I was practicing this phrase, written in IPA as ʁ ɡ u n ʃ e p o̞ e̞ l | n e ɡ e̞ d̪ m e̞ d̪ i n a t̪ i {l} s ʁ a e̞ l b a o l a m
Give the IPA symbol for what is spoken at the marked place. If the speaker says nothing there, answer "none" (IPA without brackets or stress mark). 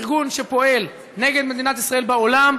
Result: none